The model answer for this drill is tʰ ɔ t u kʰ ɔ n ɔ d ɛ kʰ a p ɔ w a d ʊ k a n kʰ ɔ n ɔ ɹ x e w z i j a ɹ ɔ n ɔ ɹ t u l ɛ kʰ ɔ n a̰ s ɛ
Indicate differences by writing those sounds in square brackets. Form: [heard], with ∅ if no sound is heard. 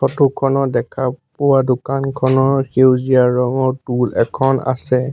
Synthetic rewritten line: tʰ ɔ t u kʰ ɔ n ɔ d ɛ kʰ a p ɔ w a d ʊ k a n kʰ ɔ n ɔ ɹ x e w z i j a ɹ ɔ [ŋ] ɔ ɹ t u l ɛ kʰ ɔ n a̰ s ɛ